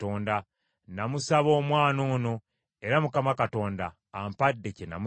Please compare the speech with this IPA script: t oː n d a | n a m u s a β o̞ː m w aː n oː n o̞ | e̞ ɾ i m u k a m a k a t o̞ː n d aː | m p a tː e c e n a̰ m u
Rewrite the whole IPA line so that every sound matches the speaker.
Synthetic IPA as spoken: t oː n d a | n a m u s a β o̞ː m w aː n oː n o̞ | e̞ ɾ a m u k a m a k a t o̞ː n d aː | m p a dː e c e n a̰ m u